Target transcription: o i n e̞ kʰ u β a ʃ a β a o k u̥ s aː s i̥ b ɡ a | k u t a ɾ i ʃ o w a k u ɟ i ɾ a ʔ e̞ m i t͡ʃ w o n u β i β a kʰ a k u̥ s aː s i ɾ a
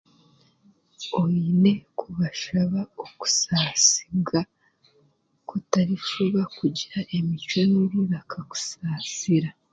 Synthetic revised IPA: o i n e̞ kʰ u β a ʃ a β a o k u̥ s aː s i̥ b ɡ a | k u t a ɾ i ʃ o β a k u ɟ i ɾ a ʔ e̞ m i t͡ʃ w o n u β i β a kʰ a k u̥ s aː s i ɾ a